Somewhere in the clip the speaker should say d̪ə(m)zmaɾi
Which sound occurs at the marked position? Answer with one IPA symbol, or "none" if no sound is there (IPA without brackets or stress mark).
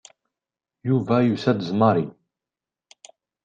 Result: none